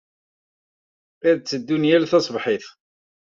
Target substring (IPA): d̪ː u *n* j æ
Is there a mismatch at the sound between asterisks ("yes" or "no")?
no